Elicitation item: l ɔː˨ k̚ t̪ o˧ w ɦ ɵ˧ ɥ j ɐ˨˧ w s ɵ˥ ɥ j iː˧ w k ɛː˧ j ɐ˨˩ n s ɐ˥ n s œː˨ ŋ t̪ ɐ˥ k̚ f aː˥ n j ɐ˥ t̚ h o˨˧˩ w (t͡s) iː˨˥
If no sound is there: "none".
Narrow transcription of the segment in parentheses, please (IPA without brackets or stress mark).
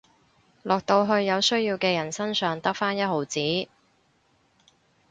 t͡s